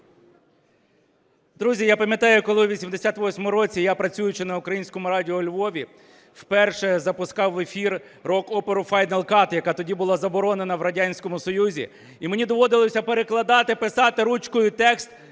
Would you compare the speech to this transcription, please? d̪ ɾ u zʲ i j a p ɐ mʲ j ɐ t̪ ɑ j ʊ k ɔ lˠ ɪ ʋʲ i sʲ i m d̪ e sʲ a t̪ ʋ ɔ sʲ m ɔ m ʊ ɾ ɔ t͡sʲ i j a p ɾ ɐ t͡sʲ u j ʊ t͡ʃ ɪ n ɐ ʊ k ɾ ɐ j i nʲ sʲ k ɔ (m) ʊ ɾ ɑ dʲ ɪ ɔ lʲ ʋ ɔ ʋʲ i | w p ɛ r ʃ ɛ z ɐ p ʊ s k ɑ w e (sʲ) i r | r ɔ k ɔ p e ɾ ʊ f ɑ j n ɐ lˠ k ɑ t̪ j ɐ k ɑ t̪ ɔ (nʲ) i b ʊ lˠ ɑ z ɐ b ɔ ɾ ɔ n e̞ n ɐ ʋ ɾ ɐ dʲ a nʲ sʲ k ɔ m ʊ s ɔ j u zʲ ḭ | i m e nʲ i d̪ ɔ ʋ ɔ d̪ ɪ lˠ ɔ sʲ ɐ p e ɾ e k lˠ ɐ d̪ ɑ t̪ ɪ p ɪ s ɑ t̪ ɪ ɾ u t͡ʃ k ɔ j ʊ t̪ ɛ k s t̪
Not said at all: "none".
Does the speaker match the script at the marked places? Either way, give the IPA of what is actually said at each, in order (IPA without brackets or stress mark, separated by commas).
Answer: m, fʲ, dʲ